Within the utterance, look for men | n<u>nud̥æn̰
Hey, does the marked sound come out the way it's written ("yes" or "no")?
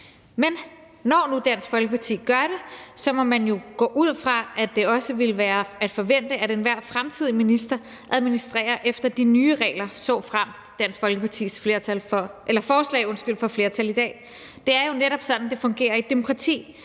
no